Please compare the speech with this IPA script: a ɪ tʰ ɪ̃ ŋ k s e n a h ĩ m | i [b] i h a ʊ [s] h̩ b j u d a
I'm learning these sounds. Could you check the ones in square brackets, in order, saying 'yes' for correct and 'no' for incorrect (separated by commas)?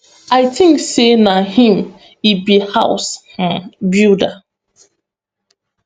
yes, yes